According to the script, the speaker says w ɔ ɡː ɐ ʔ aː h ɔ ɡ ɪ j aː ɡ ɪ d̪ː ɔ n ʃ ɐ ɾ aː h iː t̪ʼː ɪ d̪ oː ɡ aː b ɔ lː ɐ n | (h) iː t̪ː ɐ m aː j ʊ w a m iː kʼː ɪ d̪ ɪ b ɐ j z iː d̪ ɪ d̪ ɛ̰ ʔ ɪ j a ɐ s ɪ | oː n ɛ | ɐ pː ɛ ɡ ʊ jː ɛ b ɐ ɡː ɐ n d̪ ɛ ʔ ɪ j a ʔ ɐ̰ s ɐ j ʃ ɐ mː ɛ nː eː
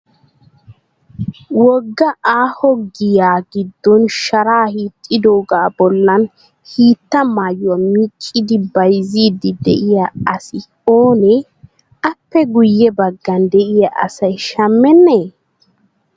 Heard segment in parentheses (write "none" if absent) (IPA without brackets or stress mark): h